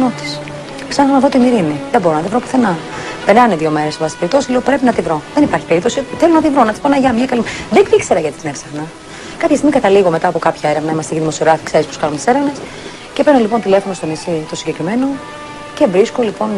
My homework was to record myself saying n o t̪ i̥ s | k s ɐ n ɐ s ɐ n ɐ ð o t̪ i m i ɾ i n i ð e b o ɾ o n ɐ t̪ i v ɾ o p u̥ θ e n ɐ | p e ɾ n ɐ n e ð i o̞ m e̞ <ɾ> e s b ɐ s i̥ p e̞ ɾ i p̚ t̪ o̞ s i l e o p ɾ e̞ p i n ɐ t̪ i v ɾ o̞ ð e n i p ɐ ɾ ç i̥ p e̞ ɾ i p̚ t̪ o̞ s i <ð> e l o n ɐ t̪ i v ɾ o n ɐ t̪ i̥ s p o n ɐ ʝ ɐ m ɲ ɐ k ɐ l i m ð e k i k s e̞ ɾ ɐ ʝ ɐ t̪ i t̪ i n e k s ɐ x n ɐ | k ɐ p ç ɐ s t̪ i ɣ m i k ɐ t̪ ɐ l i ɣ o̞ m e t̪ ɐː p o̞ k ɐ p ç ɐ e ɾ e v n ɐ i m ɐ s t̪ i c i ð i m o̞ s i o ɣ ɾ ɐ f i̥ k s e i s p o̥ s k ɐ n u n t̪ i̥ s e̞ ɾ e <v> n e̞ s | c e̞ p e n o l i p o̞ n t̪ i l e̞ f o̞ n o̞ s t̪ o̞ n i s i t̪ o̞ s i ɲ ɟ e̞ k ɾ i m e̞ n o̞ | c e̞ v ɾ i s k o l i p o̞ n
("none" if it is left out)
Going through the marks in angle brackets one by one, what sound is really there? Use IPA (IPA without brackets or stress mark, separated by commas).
ɾ, θ, v